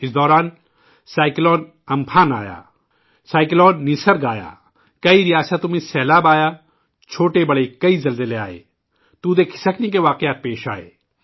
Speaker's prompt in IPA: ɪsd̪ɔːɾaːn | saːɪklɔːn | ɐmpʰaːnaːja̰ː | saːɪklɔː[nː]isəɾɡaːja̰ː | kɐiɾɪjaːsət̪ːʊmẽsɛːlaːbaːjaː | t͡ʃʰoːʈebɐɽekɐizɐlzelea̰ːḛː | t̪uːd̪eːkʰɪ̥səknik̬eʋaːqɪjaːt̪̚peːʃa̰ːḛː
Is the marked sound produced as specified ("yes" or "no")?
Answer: yes